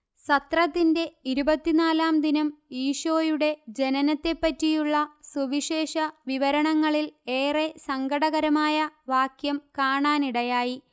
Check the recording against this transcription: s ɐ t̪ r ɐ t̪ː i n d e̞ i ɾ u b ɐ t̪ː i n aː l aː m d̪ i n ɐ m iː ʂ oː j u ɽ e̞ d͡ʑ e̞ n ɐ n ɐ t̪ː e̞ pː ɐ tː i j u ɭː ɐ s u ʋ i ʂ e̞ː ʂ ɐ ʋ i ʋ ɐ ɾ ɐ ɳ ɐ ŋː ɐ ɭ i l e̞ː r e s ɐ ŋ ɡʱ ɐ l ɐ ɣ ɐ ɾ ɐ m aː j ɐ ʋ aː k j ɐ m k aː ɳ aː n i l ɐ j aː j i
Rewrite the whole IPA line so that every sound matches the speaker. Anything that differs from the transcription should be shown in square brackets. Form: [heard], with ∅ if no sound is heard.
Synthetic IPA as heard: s ɐ t̪ r ɐ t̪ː i n d e̞ i ɾ u b ɐ t̪ː i n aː l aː m d̪ i n ɐ m iː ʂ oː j u ɽ e̞ d͡ʑ e̞ n ɐ n ɐ t̪ː e̞ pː ɐ tː i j u ɭː ɐ s u ʋ i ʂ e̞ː ʂ ɐ ʋ i ʋ ɐ ɾ ɐ ɳ ɐ ŋː ɐ ɭ i l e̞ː r e s ɐ ŋ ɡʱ ɐ [ɽ] ɐ ɣ ɐ ɾ ɐ m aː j ɐ ʋ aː k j ɐ m k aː ɳ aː n i [ɽ] ɐ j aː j i